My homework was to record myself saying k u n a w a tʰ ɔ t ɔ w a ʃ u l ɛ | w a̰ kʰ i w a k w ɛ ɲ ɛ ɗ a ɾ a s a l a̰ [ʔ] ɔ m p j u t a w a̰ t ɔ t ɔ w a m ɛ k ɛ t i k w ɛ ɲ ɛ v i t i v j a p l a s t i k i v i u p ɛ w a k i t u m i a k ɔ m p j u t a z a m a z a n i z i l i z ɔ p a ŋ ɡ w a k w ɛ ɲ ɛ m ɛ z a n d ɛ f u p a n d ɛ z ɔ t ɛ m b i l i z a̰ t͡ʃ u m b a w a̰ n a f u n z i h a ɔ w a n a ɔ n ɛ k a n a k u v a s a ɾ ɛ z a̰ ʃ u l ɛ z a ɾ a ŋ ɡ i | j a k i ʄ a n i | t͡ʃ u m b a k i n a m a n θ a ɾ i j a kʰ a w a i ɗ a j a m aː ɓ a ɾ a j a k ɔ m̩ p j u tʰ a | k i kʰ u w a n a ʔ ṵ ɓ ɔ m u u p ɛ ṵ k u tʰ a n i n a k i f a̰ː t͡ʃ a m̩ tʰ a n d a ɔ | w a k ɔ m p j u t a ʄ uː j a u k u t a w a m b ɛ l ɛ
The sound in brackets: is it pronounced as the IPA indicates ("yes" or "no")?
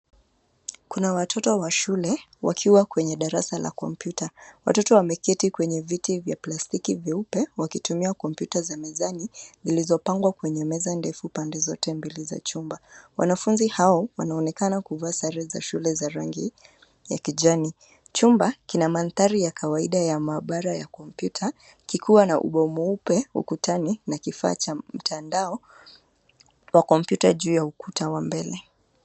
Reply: no